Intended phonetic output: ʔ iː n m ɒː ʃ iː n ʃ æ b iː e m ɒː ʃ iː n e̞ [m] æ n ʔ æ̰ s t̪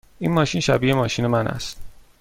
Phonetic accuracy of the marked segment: correct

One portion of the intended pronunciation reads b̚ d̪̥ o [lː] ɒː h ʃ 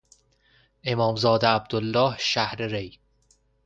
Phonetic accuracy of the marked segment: correct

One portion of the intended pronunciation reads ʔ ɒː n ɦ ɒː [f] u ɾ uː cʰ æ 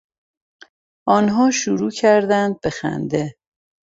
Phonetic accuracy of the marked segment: incorrect: ʃ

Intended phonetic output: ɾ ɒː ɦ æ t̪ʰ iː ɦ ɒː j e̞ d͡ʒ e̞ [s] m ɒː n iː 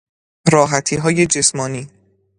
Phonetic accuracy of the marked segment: correct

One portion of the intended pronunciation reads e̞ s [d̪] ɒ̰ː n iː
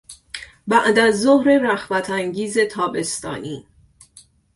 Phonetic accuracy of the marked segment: incorrect: t̪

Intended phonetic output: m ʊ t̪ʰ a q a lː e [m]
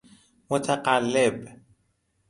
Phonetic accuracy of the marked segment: incorrect: b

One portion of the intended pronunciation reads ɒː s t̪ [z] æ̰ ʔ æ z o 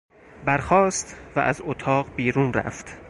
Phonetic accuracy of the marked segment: incorrect: v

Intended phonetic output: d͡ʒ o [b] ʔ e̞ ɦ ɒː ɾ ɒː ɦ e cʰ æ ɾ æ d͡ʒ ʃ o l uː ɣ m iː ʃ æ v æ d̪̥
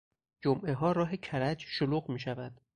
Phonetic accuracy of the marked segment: incorrect: m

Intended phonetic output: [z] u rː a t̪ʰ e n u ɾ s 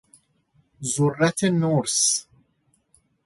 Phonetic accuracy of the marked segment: correct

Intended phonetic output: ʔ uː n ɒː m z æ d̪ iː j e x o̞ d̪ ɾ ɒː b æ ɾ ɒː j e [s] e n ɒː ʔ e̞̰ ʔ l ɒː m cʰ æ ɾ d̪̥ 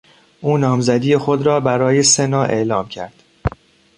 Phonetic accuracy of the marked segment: correct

